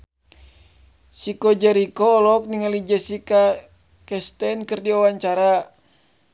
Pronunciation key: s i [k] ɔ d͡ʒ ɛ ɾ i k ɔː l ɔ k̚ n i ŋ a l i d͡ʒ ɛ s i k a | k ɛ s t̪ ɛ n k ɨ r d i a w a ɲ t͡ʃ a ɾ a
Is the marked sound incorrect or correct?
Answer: correct